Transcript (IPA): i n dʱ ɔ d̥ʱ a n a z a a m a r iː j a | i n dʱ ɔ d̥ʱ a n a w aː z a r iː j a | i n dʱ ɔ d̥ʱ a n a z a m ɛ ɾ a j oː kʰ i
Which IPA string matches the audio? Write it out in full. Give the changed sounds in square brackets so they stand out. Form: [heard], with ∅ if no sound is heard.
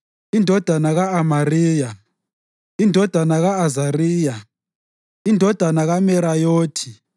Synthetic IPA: i n dʱ ɔ d̥ʱ a n a [ɣ] a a m a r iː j a | i n dʱ ɔ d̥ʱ a n a [ɣ] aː z a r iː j a | i n dʱ ɔ d̥ʱ a n a [ɣ] a m ɛ ɾ a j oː [tʰ] i